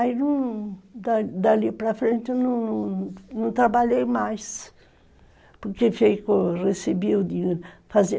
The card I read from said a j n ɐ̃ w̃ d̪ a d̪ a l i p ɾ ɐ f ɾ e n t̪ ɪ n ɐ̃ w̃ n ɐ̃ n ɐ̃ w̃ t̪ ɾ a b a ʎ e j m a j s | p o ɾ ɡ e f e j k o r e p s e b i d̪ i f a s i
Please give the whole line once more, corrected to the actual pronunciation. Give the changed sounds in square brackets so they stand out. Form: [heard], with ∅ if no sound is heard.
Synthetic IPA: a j n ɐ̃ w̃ d̪ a d̪ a l i p ɾ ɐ f ɾ [ẽ] n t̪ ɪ n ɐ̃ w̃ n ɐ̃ n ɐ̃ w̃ t̪ ɾ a b a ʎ e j m a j s | p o ɾ [k] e f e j k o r e [∅] s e b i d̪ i f a [z] i